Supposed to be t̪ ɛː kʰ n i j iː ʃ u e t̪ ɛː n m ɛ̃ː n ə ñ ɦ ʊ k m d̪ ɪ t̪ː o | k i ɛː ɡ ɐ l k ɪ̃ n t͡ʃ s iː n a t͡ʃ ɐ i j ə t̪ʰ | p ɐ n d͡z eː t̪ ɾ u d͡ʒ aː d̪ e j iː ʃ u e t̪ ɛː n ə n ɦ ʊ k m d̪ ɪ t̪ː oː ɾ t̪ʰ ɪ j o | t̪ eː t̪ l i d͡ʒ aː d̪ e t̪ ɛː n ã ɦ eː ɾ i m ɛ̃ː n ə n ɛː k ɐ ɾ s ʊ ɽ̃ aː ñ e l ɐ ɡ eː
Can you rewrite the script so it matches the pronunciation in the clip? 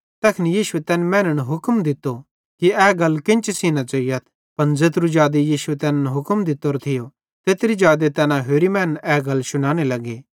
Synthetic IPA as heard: t̪ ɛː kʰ n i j iː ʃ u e t̪ ɛː n m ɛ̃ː n ə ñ ɦ ʊ k m d̪ ɪ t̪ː o | k i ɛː ɡ ɐ l k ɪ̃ n t͡ʃ s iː n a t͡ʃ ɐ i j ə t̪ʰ | p ɐ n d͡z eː t̪ ɾ u d͡ʒ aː d̪ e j iː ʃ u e t̪ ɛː n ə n ɦ ʊ k m d̪ ɪ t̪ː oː ɾ t̪ʰ ɪ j o | t̪ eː t̪ ɾ i d͡ʒ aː d̪ e t̪ ɛː n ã ɦ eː ɾ i m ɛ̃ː n ə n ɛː ɡ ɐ l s ʊ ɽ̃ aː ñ e l ɐ ɡ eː